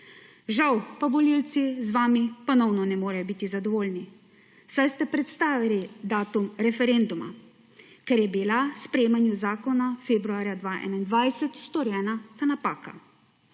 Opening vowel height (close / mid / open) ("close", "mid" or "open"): open